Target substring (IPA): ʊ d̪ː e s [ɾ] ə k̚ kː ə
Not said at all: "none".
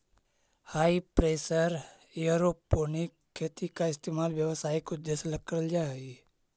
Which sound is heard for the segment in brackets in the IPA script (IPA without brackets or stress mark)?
l